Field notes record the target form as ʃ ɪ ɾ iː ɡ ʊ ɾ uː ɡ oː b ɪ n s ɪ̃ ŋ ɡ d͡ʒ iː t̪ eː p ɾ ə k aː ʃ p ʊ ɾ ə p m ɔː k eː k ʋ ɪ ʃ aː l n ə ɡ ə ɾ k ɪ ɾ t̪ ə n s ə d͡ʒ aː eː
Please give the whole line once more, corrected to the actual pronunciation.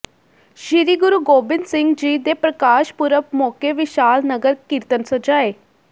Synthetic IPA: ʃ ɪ ɾ iː ɡ ʊ ɾ uː ɡ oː b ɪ n s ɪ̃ ŋ ɡ d͡ʒ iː d̪ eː p ɾ ə k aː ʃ p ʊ ɾ ə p m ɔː k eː ʋ ɪ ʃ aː l n ə ɡ ə ɾ k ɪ ɾ t̪ ə n s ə d͡ʒ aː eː

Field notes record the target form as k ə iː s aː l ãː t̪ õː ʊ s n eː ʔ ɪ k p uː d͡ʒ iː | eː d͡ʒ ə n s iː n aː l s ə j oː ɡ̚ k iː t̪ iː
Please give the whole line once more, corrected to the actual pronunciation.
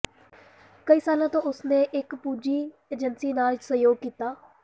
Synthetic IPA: k ə iː s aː l ãː t̪ õː ʊ s n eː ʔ ɪ k p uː d͡ʒ iː | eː d͡ʒ ə n s iː n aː l s ə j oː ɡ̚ k iː t̪ aː

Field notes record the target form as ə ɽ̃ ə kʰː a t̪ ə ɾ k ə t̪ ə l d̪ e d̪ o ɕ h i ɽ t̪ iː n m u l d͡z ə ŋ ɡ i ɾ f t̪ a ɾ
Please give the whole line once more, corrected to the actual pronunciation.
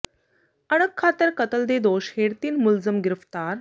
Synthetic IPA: ə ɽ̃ ə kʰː a t̪ ə ɾ k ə t̪ ə l d̪ e d̪ o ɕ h e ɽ t̪ iː n m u l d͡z ə m ɡ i ɾ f t̪ a ɾ

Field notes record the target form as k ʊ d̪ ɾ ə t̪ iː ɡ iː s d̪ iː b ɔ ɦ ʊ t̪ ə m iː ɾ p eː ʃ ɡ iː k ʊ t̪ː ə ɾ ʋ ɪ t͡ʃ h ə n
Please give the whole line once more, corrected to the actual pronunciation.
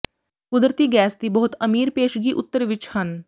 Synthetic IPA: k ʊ d̪ ɾ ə t̪ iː ɡ ɛː s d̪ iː b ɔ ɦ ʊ t̪ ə m iː ɾ p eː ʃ ɡ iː ʔ ʊ t̪ː ə ɾ ʋ ɪ t͡ʃ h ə n

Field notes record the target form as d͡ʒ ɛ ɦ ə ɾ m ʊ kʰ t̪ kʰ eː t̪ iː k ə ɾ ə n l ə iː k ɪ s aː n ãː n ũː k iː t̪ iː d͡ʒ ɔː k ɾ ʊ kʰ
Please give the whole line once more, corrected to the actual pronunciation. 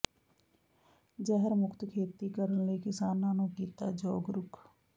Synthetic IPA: d͡ʒ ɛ ɦ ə ɾ m ʊ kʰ t̪ kʰ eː t̪ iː k ə ɾ ə n l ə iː k ɪ s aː n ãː n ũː k iː t̪ aː d͡ʒ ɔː ɡ ɾ ʊ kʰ

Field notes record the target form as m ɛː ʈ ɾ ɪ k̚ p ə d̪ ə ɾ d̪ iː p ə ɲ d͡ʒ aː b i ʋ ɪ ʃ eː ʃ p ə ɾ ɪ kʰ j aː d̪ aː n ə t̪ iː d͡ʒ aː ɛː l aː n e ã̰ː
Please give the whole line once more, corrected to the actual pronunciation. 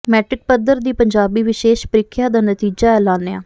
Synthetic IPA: m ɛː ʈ ɾ ɪ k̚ p ə d̪ ə ɾ d̪ iː p ə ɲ d͡ʒ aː b iː ʋ ɪ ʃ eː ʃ p ə ɾ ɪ kʰ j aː d̪ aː n ə t̪ iː d͡ʒ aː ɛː l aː n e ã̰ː

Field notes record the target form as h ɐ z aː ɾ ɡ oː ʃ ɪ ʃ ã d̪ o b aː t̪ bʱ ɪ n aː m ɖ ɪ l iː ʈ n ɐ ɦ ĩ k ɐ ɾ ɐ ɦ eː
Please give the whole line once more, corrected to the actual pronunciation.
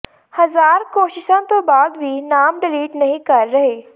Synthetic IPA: h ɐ z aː ɾ k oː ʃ ɪ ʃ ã t̪ o b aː d̪ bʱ i n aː m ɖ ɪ l iː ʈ n ɐ ɦ ĩ k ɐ ɾː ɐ ɦ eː

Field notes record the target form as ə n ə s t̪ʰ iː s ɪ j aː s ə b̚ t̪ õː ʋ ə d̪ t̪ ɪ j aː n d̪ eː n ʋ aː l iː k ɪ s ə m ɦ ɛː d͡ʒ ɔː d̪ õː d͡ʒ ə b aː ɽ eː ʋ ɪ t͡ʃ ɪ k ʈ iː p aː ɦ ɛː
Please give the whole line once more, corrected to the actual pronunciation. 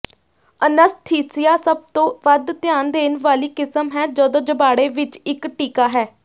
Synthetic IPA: ə n ə s t̪ʰ iː s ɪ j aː s ə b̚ t̪ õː ʋ ə d̪ t̪ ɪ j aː n d̪ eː n ʋ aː l iː k ɪ s ə m ɦ ɛː d͡ʒ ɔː d̪ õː d͡ʒ ə b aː ɽ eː ʋ ɪ t͡ʃ ɪ k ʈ iː k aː ɦ ɛː

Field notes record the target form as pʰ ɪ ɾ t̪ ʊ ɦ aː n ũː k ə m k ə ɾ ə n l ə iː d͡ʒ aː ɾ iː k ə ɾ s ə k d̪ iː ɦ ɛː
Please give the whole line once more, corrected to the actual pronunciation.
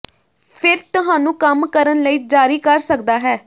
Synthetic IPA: pʰ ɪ ɾ t̪ ʊ ɦ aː n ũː k ə m k ə ɾ ə n l ə iː d͡ʒ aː ɾ iː k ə ɾ s ə k d̪ aː ɦ ɛː

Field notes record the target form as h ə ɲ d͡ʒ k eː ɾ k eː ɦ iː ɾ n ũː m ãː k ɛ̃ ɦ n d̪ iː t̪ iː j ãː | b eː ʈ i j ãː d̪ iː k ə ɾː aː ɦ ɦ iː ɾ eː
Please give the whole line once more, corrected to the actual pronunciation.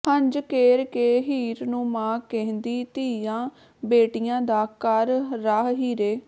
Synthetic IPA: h ə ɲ d͡ʒ k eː ɾ k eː ɦ iː ɾ n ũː m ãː k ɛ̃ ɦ n d̪ iː t̪ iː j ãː | b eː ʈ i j ãː d̪ aː k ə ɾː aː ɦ ɦ iː ɾ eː

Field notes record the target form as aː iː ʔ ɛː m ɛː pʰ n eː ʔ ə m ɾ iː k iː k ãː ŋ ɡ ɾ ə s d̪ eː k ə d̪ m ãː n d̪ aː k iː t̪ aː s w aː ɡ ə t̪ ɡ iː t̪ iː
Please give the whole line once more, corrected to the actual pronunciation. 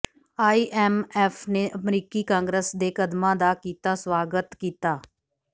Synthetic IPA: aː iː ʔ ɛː m ɛː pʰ n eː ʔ ə m ɾ iː k iː k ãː ŋ ɡ ɾ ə s d̪ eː k ə d̪ m ãː d̪ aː k iː t̪ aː s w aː ɡ ə t̪ k iː t̪ aː

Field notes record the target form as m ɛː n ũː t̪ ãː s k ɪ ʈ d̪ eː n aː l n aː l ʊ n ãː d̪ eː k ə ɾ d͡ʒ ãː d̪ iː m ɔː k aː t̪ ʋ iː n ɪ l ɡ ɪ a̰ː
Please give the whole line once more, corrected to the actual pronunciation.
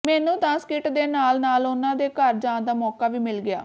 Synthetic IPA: m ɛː n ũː t̪ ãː s k ɪ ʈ d̪ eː n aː l n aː l ʊ n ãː d̪ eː k ə ɾ d͡ʒ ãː d̪ aː m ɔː k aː ʋ iː m ɪ l ɡ ɪ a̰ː

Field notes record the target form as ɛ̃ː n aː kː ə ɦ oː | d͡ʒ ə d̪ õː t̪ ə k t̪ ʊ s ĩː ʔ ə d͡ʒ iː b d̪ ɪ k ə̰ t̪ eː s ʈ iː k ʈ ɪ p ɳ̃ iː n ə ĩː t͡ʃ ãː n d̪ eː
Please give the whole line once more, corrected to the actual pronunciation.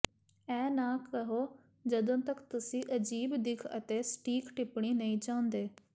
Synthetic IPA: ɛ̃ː n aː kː ə ɦ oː | d͡ʒ ə d̪ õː t̪ ə k t̪ ʊ s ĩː ʔ ə d͡ʒ iː b d̪ ɪ kʰ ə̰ t̪ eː s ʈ iː k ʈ ɪ p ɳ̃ iː n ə ĩː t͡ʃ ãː n d̪ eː

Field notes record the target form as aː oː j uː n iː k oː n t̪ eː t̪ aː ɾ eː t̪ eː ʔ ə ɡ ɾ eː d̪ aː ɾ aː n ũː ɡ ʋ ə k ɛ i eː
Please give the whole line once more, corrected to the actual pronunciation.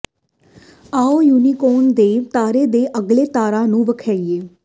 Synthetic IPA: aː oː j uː n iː k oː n d̪ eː t̪ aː ɾ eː d̪ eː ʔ ə ɡ l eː t̪ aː ɾ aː n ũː ʋ ə kʰ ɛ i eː

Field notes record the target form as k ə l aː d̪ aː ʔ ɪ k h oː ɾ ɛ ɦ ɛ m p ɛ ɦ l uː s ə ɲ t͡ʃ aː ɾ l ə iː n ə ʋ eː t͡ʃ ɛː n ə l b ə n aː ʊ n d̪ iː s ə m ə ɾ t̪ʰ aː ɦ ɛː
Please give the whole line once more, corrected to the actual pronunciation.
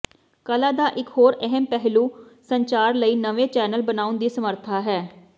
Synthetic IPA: k ə l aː d̪ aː ʔ ɪ k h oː ɾ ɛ ɦ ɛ m p ɛ ɦ l uː s ə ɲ t͡ʃ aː ɾ l ə iː n ə ʋ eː t͡ʃ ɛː n ə l b ə n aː ʊ n d̪ iː s ə m ə ɾ t̪ʰ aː ɦ ɛː

